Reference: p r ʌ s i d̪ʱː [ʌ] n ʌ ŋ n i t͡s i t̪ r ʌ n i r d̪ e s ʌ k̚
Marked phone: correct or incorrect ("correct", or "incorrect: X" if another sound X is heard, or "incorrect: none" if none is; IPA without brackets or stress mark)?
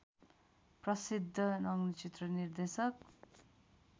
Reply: correct